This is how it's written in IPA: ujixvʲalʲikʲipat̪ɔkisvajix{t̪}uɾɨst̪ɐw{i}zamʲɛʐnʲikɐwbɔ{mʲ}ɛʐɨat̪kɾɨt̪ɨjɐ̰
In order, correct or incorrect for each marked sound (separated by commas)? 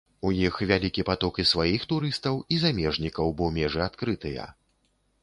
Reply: correct, correct, correct